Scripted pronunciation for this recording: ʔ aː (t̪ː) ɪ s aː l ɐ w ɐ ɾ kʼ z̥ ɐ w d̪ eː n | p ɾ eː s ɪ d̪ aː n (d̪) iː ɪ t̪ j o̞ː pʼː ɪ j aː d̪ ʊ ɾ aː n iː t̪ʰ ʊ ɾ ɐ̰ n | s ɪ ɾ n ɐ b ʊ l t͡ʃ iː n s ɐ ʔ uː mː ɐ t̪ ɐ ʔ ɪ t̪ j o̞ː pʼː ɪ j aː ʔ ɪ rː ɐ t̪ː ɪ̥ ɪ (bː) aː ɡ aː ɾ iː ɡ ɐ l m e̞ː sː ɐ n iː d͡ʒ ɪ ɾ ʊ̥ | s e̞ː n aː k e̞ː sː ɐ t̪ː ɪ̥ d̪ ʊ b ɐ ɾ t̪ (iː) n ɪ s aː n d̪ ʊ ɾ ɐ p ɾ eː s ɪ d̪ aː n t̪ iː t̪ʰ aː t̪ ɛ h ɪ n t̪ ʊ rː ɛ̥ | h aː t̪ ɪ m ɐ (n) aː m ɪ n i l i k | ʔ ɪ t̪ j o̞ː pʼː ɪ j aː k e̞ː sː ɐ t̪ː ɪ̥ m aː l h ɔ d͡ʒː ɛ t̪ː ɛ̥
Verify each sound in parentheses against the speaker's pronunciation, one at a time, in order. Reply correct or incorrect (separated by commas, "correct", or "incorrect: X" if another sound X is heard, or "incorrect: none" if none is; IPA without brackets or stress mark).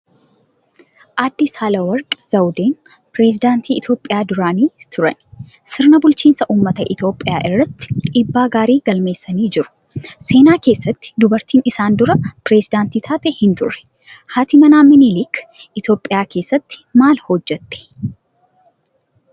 incorrect: d̪ː, incorrect: t̪, correct, correct, correct